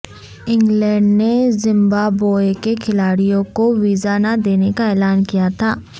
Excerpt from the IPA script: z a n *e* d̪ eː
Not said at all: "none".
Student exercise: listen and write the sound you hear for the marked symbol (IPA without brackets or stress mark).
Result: a